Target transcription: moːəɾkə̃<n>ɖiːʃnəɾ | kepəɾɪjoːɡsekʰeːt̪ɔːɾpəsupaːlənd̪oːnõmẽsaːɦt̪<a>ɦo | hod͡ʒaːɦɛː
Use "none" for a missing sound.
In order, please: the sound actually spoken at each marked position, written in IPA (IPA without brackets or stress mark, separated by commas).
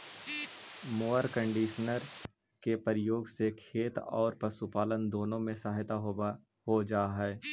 ɳ, a